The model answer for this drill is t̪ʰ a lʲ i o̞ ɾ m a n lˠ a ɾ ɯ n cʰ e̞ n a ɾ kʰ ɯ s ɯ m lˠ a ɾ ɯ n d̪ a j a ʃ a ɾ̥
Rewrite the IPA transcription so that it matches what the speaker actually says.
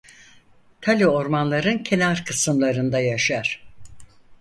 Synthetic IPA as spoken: t̪ʰ a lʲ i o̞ ɾ m a n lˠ a ɾ ɯ n cʰ e̞ n a ɾ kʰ ɯ s ɯ m lˠ a ɾ ɯ n d̪ a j a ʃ a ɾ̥